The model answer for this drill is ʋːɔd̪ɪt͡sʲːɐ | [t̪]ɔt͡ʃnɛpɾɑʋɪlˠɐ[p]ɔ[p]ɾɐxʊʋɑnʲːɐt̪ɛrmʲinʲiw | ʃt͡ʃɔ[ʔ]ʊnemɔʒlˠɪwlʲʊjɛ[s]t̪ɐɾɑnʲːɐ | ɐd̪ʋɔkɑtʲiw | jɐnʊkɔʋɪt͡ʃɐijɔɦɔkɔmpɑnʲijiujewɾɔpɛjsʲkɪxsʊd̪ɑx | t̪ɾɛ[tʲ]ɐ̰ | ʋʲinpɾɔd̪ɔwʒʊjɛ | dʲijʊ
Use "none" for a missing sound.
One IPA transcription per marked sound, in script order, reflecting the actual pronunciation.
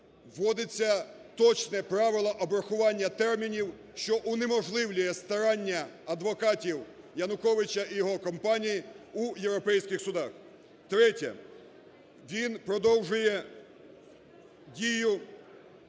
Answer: t̪, ʔ, b, ʔ, s, tʲ

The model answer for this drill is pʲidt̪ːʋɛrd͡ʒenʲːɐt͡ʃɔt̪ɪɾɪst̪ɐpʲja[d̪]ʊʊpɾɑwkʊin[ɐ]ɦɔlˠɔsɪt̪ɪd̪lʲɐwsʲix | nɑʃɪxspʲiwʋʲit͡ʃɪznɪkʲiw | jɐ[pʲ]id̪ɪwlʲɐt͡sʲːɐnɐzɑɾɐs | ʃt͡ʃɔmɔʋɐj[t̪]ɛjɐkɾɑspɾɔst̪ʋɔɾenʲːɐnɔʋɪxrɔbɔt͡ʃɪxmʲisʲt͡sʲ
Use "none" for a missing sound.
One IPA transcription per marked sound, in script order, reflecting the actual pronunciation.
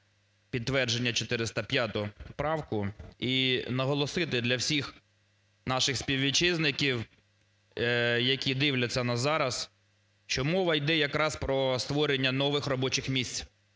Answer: t̪, ɐ, kʲ, d̪

